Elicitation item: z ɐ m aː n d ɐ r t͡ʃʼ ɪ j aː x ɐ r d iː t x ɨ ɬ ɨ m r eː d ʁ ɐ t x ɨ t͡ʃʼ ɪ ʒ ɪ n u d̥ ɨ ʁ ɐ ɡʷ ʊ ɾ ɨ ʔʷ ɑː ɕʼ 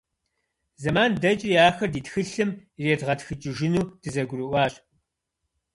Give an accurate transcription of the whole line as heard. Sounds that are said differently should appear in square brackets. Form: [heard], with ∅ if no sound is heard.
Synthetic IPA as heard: z ɐ m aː n d ɐ [∅] t͡ʃʼ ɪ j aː x ɐ r d iː t x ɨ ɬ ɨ m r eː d ʁ ɐ t x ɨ t͡ʃʼ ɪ ʒ ɪ n [uː] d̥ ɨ [z] ɐ ɡʷ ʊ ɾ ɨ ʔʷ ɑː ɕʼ